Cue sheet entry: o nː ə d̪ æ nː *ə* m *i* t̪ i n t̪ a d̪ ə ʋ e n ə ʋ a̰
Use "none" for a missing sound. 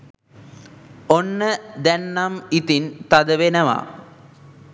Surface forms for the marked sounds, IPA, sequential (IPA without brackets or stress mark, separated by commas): a, i